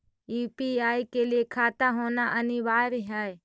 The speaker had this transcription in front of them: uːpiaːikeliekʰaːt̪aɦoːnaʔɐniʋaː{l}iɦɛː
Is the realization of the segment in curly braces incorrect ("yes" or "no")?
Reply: yes